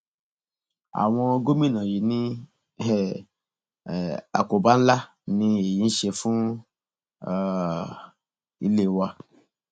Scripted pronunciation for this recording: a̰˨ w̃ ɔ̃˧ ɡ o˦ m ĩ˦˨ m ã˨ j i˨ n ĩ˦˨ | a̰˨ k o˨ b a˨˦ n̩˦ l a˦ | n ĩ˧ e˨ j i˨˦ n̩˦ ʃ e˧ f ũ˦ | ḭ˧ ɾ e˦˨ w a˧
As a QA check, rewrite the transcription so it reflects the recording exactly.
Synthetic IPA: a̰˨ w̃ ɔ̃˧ ɡ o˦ m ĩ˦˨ n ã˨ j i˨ n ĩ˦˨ | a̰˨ k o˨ b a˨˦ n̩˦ l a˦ | n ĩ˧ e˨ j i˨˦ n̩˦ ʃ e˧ f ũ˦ | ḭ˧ l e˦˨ w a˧